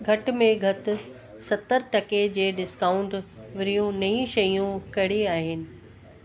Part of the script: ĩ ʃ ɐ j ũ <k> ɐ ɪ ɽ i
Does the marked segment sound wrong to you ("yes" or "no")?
no